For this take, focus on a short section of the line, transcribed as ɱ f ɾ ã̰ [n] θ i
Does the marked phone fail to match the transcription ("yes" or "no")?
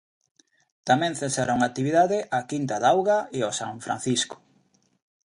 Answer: no